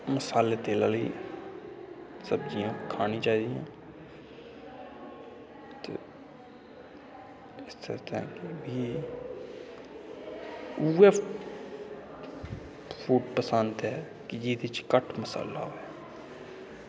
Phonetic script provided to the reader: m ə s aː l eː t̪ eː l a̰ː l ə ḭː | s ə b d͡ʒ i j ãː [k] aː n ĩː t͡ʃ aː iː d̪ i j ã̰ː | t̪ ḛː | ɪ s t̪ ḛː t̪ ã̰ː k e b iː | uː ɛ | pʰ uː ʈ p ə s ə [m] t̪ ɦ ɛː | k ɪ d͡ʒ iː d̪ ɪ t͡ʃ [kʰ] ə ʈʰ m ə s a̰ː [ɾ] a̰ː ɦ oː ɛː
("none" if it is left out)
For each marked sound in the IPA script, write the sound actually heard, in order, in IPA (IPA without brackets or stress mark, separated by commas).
kʰ, n, k, l